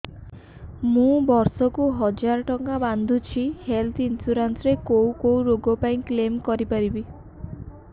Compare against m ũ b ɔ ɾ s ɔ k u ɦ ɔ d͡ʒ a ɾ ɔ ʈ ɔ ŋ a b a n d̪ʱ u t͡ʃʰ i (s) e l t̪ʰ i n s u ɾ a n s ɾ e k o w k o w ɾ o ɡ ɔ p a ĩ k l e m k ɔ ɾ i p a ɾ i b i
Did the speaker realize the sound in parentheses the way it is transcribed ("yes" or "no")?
no